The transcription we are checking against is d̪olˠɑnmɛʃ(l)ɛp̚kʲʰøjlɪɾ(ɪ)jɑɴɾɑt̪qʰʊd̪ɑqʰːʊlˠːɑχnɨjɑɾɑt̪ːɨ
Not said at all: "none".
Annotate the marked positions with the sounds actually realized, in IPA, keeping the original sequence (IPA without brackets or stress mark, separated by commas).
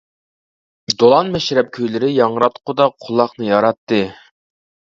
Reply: ɾ, ɪ